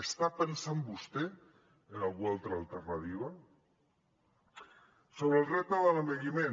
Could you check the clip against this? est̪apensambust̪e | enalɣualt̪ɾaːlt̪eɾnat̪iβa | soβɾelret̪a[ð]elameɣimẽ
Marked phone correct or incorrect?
correct